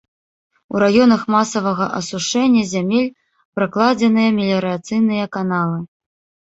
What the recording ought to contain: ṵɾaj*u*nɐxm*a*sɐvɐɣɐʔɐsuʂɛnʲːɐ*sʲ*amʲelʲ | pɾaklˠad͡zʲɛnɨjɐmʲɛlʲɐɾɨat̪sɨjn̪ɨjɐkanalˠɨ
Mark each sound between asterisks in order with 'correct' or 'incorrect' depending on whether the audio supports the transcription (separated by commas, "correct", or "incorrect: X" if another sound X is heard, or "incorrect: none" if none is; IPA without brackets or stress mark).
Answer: incorrect: ɔ, correct, incorrect: zʲ